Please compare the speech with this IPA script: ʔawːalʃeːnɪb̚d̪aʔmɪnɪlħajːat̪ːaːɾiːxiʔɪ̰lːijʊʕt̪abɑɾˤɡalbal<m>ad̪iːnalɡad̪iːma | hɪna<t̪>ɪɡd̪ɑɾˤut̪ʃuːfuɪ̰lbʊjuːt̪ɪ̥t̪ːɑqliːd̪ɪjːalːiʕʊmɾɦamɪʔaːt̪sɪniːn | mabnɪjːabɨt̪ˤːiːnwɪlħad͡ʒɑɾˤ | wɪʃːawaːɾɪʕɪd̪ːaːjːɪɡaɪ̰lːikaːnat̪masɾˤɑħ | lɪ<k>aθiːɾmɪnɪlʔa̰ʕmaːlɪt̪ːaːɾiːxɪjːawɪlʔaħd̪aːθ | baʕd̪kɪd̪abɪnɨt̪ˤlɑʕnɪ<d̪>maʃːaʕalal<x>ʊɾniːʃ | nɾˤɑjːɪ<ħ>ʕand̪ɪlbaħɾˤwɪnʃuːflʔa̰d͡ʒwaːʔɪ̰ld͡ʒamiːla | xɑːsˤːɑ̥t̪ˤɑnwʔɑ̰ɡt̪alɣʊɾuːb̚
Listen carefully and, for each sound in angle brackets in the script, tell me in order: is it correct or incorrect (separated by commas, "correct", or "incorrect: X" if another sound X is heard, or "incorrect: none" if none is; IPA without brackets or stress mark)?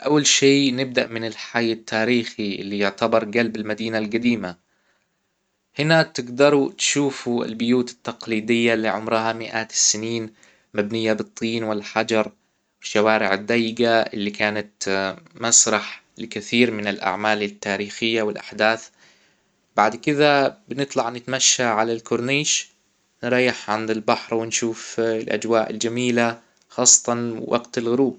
correct, correct, correct, incorrect: t̪, incorrect: k, correct